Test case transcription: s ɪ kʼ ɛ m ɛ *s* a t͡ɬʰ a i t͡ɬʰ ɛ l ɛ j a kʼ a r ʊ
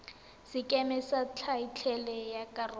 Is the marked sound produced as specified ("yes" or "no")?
yes